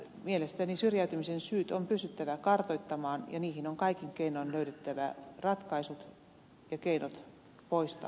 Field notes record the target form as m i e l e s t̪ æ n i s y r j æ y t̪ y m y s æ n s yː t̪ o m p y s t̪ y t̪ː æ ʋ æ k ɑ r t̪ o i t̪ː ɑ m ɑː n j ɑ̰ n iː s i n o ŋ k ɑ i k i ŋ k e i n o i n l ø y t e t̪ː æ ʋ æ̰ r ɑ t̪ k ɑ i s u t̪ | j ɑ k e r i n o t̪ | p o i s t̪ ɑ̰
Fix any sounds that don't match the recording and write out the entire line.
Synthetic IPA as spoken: m i e l e s t̪ æ n i s y r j æ y t̪ y m i s e n s yː t̪ o m p y s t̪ y t̪ː æ ʋ æ k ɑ r t̪ o i t̪ː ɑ m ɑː n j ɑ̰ n iː h i n o ŋ k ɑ i k i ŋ k e i n o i n l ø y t e t̪ː æ ʋ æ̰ r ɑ t̪ k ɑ i s u t̪ | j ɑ k e i n o t̪ | p o i s t̪ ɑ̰

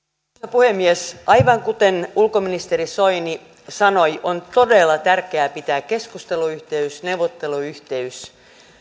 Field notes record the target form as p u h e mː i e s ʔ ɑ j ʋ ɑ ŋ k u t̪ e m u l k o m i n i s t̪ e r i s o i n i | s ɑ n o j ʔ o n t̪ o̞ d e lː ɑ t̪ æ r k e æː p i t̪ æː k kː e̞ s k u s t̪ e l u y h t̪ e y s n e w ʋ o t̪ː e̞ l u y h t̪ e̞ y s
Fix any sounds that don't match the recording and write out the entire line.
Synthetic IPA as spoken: p u h e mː i e s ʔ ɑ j ʋ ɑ ŋ k u t̪ e n u l k o m i n i s t̪ e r i s o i n i | s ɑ n o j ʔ o n t̪ o̞ d e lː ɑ t̪ æ r k e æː p i t̪ æː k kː e̞ s k u s t̪ e l u y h t̪ e y s n e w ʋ o t̪ː e̞ l u y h t̪ e̞ y s

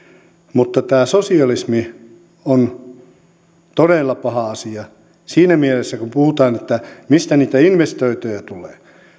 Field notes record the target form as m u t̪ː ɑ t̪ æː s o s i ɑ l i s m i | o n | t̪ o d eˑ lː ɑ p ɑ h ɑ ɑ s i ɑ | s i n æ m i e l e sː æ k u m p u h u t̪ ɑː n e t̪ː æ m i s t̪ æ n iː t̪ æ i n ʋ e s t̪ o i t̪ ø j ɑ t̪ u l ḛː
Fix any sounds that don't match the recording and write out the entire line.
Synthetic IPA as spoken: m u t̪ː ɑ t̪ æː s o s i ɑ l i s m i | o n | t̪ o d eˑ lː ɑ p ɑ h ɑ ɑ s i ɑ | s iː n æ m i e l e sː æ k u m p u h u t̪ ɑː n e t̪ː æ m i s t̪ æ n iː t̪ æ i n ʋ e s t̪ o i t̪ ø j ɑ t̪ u l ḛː

